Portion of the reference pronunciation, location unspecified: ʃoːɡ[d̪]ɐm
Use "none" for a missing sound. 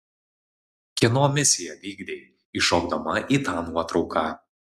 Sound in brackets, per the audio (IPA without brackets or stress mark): d̪